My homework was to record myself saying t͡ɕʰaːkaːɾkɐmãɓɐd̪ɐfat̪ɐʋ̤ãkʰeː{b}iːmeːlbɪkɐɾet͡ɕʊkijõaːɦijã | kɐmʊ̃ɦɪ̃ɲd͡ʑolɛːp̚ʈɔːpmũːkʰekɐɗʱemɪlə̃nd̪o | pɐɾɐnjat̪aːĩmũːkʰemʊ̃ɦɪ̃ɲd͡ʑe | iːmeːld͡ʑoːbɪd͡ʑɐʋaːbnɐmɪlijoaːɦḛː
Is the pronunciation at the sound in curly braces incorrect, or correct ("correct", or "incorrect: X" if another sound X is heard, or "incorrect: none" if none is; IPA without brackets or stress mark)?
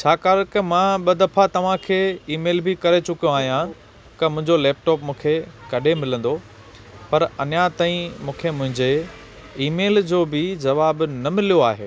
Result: incorrect: none